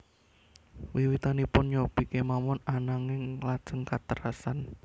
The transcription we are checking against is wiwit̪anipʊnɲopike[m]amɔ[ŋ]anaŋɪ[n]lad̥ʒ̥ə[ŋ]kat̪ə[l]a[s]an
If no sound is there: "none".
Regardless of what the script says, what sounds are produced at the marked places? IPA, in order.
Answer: m, n, ŋ, ŋ, ɾ, s

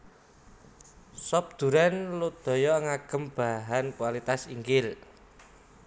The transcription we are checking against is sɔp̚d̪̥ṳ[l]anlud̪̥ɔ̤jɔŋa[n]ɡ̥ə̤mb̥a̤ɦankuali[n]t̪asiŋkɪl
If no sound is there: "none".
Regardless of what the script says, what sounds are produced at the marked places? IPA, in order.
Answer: ɾ, none, none

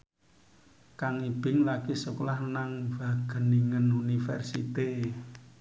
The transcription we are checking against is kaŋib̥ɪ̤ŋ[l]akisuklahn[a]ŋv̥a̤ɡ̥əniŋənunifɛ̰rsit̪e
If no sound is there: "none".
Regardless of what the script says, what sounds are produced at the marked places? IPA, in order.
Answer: l, a

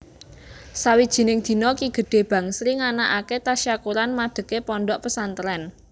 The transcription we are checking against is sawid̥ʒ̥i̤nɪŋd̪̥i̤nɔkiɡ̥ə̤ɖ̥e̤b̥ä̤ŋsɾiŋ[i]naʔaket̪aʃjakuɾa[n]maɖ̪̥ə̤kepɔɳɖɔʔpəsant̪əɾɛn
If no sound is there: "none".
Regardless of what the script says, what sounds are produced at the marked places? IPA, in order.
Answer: a, n

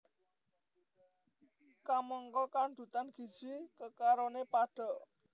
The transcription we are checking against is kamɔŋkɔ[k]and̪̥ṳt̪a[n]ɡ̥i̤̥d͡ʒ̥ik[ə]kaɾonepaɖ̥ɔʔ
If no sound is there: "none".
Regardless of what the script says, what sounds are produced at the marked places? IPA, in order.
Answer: k, n, ə

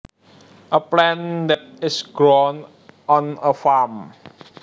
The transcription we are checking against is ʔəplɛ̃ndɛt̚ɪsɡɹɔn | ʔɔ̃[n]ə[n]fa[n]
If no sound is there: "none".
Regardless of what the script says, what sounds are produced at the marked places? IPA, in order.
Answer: n, none, m

